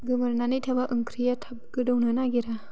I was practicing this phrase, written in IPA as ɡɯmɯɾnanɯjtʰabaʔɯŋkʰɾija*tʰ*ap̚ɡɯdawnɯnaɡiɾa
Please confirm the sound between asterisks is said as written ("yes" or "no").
yes